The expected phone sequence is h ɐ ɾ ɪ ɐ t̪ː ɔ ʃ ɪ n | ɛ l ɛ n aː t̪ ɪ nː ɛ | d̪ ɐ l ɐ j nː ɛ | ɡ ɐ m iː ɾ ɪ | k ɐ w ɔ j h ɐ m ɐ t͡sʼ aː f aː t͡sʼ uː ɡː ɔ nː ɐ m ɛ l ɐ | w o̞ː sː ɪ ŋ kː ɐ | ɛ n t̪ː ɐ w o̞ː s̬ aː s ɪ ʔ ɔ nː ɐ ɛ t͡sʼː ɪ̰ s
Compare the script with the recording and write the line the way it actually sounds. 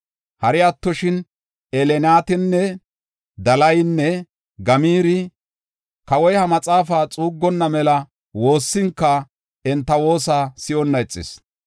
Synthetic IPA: h ɐ ɾ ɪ ɐ t̪ː ɔ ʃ ɪ n | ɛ l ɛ n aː t̪ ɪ nː ɛ | d̪ ɐ l ɐ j nː ɛ | ɡ ɐ m iː ɾ ɪ | k ɐ w ɔ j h ɐ m ɐ t͡sʼ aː f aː t͡sʼ uː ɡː ɔ nː ɐ m ɛ l ɐ | w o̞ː sː ɪ ŋ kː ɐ | ɛ n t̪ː ɐ w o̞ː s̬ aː s ɪ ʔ ɔ nː ɐ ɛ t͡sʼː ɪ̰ s